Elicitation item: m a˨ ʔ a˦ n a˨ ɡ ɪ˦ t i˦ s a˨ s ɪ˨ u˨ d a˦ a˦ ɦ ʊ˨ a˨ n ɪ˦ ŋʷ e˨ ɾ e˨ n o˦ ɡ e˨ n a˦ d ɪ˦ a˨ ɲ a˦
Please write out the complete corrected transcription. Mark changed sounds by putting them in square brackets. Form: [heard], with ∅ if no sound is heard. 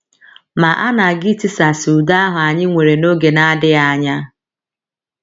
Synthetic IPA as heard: m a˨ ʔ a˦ n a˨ ɡ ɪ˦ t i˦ s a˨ s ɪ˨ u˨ d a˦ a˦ ɦ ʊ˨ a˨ [ɲ] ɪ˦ ŋʷ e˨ ɾ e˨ n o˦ ɡ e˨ n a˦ d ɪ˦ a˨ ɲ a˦

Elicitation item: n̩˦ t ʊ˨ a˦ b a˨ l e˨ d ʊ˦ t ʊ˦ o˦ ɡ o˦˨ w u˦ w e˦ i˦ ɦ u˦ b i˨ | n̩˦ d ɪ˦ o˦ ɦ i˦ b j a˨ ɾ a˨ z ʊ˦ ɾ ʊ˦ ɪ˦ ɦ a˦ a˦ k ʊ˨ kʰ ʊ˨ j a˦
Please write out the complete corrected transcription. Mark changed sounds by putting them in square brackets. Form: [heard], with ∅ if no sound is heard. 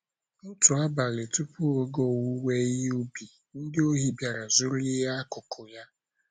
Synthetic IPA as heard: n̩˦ t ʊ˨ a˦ b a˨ l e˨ [t] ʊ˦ [p] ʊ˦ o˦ ɡ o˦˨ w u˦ w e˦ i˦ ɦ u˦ b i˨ | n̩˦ d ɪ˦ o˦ ɦ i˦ b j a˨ ɾ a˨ z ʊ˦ ɾ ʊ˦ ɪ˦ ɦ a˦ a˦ k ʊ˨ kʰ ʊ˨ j a˦

